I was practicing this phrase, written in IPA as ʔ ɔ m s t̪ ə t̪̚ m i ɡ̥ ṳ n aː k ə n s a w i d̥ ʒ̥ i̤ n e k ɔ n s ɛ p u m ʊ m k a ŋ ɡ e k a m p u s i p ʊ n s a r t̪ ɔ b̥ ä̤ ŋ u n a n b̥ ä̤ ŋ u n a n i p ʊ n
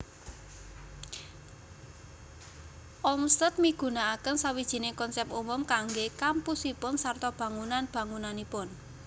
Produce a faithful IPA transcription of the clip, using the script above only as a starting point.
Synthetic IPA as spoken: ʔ ɔ m s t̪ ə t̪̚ m i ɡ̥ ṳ n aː k ə n s a w i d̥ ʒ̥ i̤ n e k ɔ n s ɛ p u m ʊ m k a ŋ ɡ e k a m p u s i p ʊ n s a r t̪ ɔ b̥ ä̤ ŋ u n a n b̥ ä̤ ŋ u n a n i p ʊ n